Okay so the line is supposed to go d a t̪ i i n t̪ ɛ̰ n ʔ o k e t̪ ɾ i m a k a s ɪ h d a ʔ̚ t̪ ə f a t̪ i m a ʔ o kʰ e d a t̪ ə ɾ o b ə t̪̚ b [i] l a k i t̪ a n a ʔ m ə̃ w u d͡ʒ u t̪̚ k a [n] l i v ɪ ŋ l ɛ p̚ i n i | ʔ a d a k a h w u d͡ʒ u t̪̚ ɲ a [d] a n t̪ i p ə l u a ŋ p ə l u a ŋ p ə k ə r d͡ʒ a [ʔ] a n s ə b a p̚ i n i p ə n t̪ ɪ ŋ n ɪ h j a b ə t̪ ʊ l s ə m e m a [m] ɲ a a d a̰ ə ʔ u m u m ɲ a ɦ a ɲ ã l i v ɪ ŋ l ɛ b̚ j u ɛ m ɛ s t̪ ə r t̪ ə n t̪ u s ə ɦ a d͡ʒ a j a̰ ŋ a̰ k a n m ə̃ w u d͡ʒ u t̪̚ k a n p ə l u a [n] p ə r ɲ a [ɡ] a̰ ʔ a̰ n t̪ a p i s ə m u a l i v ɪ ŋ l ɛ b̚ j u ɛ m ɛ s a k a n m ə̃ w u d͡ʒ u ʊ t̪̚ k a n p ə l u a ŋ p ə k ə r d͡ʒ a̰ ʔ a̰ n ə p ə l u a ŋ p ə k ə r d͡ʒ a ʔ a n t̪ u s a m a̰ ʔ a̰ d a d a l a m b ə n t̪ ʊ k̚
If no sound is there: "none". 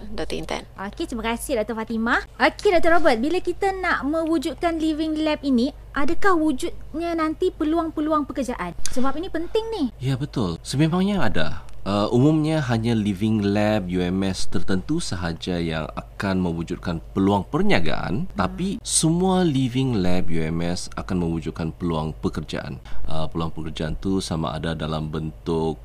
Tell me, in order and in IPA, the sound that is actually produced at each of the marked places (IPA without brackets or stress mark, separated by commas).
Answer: i, n, n, ʔ, ŋ, ŋ, ɡ